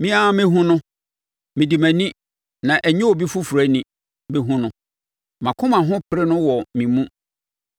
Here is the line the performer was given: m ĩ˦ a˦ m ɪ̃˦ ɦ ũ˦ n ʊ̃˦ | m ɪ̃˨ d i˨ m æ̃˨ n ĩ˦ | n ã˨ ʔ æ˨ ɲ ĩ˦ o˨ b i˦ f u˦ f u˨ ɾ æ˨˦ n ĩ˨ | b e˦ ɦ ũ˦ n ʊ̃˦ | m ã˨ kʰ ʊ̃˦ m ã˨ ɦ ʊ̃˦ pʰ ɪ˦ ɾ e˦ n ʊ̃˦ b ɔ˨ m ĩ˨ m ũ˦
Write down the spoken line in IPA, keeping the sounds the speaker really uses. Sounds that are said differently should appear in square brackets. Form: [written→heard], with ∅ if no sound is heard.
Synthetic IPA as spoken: m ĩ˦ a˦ m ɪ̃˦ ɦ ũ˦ n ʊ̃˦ | m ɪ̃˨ d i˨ m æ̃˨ n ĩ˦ | n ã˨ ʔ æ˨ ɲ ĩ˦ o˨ b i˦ f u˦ f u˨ ɾ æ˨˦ n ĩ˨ | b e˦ ɦ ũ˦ n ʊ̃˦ | m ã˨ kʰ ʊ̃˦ m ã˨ ɦ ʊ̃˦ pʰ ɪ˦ ɾ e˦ n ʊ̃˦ [b→w] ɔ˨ m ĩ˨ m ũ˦